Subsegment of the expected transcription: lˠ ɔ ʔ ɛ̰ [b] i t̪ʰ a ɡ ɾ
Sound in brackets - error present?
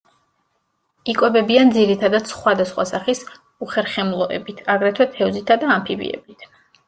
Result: no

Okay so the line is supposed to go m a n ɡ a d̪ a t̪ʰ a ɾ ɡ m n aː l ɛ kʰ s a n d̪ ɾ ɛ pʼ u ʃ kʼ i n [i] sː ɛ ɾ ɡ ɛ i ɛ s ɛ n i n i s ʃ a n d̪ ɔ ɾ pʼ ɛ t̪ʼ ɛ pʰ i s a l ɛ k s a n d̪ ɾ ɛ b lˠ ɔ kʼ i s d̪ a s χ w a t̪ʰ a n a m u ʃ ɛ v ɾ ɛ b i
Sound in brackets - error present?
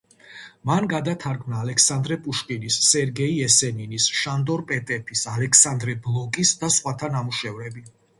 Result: no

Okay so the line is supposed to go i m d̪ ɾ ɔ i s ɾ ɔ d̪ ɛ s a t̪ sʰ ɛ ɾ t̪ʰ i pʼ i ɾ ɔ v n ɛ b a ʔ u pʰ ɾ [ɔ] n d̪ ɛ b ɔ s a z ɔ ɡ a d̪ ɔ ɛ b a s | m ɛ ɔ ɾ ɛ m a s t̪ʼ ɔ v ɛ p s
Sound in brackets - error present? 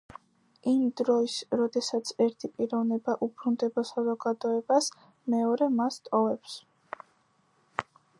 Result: yes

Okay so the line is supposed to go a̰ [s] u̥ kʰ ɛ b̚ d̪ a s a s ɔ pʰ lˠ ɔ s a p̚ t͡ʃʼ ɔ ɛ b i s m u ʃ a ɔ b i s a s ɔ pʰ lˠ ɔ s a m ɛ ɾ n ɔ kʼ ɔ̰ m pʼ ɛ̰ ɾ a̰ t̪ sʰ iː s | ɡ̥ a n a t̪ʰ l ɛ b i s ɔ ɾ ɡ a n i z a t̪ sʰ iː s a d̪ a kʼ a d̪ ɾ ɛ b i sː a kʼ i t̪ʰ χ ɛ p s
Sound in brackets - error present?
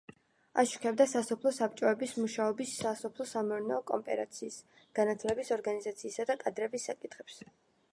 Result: yes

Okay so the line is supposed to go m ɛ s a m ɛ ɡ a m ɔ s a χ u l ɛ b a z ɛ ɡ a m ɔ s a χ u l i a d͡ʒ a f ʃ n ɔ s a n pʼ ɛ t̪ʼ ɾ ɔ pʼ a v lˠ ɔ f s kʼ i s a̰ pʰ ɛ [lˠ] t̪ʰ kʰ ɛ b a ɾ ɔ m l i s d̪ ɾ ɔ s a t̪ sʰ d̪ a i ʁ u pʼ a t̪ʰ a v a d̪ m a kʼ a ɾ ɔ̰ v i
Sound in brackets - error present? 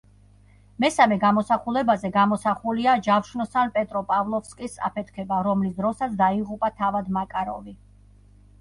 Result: yes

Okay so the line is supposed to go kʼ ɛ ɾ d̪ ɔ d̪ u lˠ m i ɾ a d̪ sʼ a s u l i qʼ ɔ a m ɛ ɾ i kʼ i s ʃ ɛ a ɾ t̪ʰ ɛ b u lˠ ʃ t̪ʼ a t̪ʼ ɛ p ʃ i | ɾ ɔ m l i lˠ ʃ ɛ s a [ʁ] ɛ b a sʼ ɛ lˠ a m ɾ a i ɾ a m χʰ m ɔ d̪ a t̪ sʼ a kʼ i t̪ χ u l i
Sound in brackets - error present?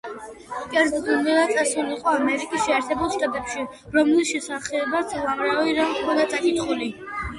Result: yes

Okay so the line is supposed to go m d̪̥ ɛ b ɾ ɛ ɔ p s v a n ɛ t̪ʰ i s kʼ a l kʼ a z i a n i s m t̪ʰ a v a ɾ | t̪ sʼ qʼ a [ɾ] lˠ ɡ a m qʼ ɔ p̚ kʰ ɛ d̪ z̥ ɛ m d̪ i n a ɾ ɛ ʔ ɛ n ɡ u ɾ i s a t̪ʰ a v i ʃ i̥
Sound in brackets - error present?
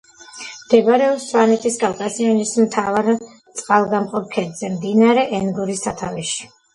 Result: yes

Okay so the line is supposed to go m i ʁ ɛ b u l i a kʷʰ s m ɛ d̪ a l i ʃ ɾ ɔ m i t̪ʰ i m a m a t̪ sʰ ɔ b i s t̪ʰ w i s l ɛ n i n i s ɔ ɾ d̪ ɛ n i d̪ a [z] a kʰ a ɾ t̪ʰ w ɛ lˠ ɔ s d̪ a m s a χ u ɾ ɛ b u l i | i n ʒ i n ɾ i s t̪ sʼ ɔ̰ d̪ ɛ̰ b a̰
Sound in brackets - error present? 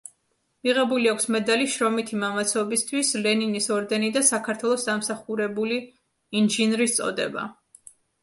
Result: yes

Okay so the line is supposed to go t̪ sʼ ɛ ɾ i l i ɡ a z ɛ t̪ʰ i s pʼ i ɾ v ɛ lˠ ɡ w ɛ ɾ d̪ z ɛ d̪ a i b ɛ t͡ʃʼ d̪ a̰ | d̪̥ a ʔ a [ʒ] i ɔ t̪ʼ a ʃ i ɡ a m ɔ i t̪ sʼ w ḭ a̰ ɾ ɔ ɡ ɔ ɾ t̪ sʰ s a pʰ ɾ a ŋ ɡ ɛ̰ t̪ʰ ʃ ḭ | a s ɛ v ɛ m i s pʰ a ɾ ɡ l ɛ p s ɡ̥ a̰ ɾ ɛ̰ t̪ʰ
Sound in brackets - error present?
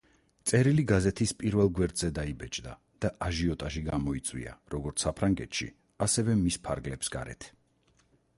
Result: no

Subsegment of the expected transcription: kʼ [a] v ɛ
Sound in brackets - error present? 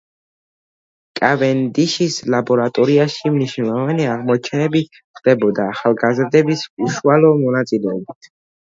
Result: no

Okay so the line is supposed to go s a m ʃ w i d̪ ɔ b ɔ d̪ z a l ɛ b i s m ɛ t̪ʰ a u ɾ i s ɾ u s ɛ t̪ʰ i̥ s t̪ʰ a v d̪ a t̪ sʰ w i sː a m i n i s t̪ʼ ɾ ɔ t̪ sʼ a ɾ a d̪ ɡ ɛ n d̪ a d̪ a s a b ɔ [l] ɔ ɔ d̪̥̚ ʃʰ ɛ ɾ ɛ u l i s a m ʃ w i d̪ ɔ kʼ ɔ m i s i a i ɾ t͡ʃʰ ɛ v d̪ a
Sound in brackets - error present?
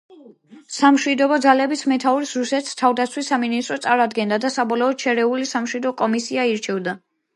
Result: no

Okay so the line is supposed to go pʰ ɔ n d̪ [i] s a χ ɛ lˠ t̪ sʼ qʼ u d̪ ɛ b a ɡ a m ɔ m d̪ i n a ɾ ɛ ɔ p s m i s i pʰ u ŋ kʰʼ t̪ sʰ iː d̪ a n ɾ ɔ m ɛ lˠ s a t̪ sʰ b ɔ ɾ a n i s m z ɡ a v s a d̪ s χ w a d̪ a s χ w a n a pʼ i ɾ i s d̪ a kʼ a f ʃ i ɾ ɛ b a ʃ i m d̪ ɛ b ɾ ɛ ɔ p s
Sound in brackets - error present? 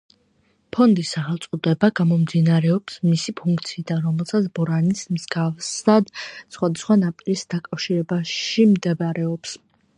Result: no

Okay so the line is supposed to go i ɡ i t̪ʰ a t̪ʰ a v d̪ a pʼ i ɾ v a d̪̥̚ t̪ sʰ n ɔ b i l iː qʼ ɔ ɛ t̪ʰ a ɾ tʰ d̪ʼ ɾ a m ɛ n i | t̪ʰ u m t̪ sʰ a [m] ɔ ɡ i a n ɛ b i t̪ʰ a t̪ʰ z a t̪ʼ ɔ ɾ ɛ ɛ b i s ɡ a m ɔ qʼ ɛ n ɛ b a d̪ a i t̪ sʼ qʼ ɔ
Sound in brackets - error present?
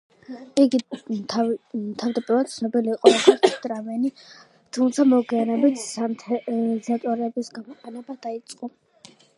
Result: no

